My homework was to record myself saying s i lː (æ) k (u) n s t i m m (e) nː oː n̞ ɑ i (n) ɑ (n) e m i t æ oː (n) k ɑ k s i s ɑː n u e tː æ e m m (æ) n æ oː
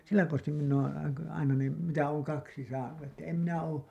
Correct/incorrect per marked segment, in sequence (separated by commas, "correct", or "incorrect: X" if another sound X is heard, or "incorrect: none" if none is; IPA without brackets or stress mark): correct, incorrect: o, incorrect: i, correct, correct, incorrect: ŋ, incorrect: i